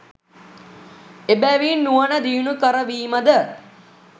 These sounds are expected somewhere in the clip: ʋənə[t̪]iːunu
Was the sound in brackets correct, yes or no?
no